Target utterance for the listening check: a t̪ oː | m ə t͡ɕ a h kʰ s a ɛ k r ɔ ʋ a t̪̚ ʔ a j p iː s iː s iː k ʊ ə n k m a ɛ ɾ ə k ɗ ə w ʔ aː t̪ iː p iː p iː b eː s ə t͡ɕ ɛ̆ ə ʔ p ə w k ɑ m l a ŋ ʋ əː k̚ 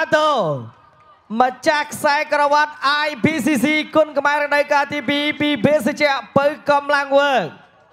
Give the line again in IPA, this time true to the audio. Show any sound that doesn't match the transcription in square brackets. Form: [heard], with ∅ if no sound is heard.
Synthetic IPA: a t̪ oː | m ə t͡ɕ a h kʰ s a ɛ k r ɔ ʋ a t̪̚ ʔ a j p iː s iː s iː k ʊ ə n k m a ɛ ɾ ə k ɗ ə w [k] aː t̪ iː p iː p iː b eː s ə t͡ɕ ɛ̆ ə ʔ p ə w k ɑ m l a ŋ ʋ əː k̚